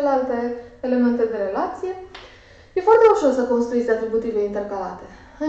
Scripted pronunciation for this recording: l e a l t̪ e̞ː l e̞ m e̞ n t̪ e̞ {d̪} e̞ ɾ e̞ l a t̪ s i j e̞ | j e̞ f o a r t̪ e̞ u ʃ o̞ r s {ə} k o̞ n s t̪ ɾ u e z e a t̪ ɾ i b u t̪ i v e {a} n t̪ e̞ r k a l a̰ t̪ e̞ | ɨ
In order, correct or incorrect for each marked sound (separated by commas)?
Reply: correct, correct, incorrect